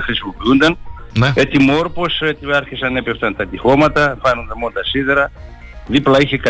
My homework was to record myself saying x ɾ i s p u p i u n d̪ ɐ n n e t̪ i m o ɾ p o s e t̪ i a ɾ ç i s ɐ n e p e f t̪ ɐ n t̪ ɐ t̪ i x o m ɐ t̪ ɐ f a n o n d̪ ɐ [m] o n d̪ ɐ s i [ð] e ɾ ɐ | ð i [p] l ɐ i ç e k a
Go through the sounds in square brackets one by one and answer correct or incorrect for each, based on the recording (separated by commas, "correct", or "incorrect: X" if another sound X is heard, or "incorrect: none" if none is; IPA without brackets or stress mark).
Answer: correct, correct, correct